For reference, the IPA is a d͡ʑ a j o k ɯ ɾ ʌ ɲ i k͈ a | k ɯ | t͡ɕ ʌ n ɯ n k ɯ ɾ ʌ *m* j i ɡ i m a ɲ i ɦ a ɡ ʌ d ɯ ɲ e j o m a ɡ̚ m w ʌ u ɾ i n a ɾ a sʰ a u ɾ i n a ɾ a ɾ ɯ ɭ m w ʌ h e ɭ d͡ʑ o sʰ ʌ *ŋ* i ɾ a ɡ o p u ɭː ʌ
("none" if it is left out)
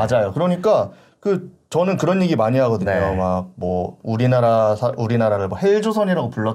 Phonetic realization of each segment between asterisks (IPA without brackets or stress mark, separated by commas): n, ɲ